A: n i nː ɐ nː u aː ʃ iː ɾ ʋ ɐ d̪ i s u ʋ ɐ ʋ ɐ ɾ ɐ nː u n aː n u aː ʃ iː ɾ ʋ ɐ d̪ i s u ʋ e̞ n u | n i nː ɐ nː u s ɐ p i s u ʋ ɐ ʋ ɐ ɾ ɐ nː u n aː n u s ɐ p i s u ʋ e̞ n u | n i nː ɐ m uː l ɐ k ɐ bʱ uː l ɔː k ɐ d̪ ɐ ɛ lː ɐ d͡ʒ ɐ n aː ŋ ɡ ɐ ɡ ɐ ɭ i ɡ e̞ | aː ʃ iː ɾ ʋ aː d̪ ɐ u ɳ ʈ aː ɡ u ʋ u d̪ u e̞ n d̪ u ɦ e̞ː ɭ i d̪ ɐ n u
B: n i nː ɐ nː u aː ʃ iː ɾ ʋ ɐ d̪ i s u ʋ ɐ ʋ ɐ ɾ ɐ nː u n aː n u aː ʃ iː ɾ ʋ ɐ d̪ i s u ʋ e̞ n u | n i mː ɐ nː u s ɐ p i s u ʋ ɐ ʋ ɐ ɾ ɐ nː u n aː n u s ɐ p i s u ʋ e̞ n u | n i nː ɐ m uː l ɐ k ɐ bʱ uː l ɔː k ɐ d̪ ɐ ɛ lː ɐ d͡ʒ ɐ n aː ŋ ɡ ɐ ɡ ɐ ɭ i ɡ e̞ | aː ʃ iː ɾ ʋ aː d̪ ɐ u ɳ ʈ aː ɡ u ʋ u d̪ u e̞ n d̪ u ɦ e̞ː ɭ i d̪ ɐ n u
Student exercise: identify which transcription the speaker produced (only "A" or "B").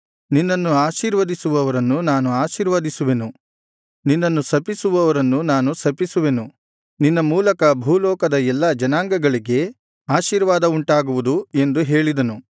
A